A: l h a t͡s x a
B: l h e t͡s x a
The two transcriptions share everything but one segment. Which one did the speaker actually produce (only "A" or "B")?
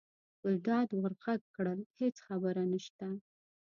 B